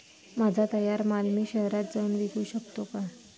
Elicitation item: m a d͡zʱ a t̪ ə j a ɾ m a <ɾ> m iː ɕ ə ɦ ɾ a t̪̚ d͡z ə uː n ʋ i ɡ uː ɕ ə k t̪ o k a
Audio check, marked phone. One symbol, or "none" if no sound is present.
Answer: l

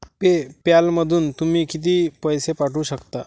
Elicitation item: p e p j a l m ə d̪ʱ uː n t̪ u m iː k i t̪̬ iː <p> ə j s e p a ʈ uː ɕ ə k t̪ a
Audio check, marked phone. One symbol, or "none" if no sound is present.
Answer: p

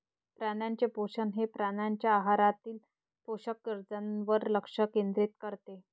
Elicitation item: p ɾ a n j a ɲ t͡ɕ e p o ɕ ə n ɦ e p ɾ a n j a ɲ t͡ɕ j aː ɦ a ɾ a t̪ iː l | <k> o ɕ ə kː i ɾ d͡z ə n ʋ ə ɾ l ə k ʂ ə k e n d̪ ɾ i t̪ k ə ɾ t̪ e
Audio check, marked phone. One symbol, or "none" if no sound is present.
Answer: p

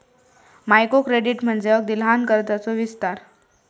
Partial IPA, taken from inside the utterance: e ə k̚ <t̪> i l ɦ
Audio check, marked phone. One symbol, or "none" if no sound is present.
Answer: d̪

